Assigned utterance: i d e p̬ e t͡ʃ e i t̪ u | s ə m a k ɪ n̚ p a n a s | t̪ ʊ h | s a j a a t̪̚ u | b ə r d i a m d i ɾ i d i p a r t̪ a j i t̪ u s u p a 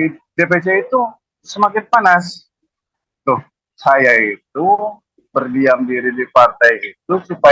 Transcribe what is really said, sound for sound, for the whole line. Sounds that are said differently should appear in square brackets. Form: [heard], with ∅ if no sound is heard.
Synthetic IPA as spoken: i d e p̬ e t͡ʃ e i t̪ u | s ə m a k ɪ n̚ p a n a s | t̪ ʊ h | s a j a [i] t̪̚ u | b ə r d i a m d i ɾ i d i p a r t̪ a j i t̪ u s u p a